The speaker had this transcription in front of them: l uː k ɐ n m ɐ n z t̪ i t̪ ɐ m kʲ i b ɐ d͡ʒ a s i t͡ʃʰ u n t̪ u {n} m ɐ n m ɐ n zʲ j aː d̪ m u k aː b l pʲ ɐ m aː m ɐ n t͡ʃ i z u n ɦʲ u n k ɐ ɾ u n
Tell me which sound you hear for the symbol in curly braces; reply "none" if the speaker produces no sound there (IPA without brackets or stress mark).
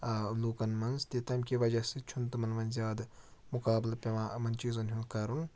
none